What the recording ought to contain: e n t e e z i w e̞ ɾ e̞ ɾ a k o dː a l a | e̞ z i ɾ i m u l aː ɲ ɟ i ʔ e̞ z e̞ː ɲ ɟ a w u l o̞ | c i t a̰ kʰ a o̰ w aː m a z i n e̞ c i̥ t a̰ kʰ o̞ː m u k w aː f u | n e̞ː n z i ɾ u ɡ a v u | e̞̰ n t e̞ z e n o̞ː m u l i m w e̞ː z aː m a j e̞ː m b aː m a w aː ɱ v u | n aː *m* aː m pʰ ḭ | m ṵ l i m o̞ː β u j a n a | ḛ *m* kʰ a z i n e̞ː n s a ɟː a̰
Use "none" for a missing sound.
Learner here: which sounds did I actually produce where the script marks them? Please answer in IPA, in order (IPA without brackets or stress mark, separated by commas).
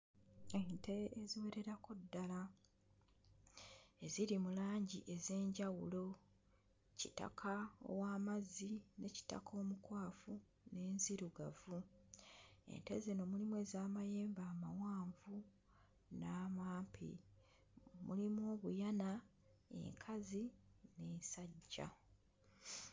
m, ŋ